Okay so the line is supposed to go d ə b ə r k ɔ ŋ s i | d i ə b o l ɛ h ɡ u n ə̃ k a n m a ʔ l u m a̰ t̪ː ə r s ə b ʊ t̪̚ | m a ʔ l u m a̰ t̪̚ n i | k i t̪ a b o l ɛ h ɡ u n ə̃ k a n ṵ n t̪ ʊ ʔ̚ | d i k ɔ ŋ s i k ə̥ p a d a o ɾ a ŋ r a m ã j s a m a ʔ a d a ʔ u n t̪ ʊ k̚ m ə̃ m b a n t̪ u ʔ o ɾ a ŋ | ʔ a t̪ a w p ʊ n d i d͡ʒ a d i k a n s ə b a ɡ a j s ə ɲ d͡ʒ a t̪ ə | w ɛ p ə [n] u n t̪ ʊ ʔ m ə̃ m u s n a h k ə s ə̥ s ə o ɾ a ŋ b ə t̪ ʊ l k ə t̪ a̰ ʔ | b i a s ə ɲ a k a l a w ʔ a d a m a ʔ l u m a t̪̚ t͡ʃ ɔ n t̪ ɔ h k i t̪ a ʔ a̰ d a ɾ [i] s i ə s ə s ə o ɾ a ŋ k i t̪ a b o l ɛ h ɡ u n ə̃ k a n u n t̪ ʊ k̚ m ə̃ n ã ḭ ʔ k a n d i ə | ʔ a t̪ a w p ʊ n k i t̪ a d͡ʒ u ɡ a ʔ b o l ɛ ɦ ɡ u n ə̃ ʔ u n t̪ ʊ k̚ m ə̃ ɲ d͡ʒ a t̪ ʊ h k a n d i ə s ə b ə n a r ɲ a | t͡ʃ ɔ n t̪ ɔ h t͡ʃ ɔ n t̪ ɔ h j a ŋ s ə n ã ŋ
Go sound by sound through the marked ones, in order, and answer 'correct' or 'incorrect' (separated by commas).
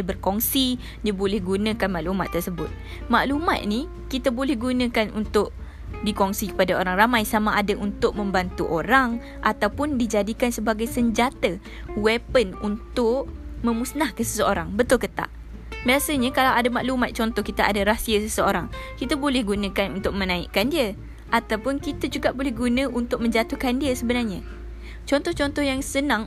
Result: correct, incorrect